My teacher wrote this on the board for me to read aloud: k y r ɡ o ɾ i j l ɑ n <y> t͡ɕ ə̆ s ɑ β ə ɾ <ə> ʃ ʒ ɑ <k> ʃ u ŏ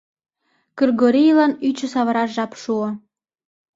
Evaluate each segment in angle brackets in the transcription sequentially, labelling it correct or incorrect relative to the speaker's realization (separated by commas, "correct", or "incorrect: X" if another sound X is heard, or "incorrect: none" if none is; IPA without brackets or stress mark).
correct, incorrect: ɑ, incorrect: p